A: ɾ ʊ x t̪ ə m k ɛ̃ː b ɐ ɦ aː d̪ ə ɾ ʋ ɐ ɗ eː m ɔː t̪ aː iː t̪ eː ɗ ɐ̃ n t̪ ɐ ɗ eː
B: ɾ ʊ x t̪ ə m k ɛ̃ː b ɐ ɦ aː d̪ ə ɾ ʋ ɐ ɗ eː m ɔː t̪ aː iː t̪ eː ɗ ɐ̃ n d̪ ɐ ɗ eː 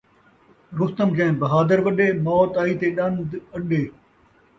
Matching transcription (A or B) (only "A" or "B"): B